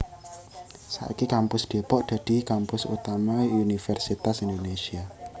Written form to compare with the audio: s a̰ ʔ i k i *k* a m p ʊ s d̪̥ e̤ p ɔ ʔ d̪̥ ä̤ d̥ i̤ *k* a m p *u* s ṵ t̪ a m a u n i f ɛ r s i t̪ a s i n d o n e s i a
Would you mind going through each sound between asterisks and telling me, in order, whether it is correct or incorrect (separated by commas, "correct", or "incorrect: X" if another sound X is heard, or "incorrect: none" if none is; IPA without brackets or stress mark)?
correct, correct, incorrect: ʊ